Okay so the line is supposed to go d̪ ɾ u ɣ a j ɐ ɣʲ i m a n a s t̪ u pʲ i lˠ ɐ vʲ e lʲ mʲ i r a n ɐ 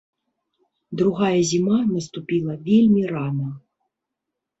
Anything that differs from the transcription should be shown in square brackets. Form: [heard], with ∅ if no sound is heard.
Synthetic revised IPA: d̪ ɾ u ɣ a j ɐ [zʲ] i m a n [ɐ] s t̪ u pʲ i lˠ ɐ vʲ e lʲ mʲ i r a n ɐ

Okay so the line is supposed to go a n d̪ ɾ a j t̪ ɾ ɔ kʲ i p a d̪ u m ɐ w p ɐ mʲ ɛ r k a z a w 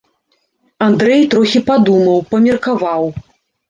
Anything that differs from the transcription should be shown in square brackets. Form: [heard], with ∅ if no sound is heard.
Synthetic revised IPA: a n d̪ ɾ [ɛ] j t̪ ɾ ɔ [xʲ] i p a d̪ u m ɐ w p ɐ mʲ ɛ r k a [v] a w

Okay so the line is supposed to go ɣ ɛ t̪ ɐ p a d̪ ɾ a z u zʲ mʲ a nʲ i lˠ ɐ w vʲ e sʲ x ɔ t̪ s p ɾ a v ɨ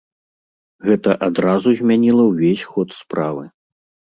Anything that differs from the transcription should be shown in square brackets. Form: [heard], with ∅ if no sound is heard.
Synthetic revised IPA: ɣ ɛ t̪ ɐ [ʔ] a d̪ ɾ a z u zʲ mʲ a nʲ i lˠ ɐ w vʲ e sʲ x ɔ t̪ s p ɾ a v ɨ

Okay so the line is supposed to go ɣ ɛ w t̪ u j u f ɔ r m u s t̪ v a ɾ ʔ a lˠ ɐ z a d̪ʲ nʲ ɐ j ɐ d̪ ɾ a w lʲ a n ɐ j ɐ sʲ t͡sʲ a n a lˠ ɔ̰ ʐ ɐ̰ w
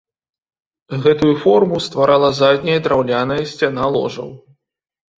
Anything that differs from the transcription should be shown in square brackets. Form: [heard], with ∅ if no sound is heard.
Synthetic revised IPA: ɣ ɛ [∅] t̪ u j u f ɔ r m u s t̪ v a ɾ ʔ a lˠ ɐ z a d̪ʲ nʲ ɐ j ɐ d̪ ɾ a w lʲ a n ɐ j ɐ sʲ t͡sʲ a n a lˠ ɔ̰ ʐ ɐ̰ w

